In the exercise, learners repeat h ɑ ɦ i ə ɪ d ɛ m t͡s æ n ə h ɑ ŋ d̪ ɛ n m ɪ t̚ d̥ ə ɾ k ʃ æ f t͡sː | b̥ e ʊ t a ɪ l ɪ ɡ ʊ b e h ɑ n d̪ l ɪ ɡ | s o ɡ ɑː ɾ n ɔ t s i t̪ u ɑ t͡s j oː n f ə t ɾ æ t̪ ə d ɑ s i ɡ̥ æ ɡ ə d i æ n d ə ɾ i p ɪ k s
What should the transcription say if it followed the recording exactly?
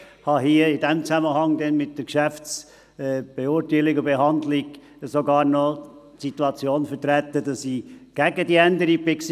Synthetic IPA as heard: h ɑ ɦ i ə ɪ d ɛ m t͡s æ m ə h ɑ ŋ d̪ ɛ n m ɪ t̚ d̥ ə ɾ k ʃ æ f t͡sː | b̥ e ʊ t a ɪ l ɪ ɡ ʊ b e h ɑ n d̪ l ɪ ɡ | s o ɡ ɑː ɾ n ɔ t s i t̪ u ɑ t͡s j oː n f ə t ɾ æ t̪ ə d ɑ s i ɡ̥ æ ɡ ə d i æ n d ə ɾ i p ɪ k s